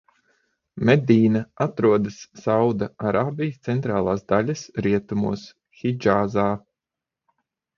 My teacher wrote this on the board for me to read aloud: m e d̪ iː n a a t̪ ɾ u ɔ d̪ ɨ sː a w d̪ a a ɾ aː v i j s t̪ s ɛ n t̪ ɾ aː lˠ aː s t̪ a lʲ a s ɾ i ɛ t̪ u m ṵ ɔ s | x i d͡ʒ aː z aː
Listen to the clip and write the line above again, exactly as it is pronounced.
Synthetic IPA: m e d̪ iː n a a t̪ ɾ u ɔ d̪ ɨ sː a w d̪ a a ɾ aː b i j s t̪ s ɛ n t̪ ɾ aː lˠ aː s d̪ a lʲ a s ɾ i ɛ t̪ u m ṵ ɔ s | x i d͡ʒ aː z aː